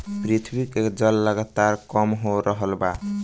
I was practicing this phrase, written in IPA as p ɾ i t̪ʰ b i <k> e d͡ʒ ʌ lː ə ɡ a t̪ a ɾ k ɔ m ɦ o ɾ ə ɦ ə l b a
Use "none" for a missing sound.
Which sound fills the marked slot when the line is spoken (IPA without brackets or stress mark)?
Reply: k